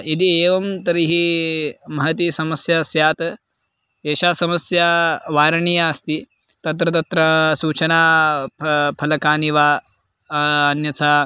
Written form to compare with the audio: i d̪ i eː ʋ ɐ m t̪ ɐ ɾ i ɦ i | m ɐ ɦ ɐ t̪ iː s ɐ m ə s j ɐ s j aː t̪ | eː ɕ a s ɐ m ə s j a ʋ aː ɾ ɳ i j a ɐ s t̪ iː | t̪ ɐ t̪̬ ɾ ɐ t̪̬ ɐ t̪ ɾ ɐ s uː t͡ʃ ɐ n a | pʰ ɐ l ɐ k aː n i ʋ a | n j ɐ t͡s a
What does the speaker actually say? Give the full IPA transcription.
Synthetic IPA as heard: i d̪ i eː ʋ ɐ m t̪ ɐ ɾ i ɦ i | m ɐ ɦ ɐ t̪ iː s ɐ m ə s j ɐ s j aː t̪ | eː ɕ a s ɐ m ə s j a ʋ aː ɾ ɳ i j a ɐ s t̪ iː | t̪ ɐ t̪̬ ɾ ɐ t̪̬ ɐ t̪ ɾ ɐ s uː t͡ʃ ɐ n a | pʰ ɐ l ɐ k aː n i ʋ a | n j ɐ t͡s a